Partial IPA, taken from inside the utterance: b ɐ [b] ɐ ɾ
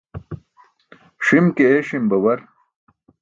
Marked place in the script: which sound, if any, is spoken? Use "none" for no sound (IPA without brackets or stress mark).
w